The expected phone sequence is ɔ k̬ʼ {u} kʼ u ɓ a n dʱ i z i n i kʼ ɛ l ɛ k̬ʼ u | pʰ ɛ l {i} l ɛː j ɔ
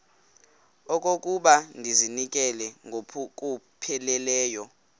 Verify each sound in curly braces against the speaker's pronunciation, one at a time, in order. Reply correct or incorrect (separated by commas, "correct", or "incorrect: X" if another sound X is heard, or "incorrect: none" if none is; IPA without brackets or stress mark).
incorrect: o, incorrect: ɛ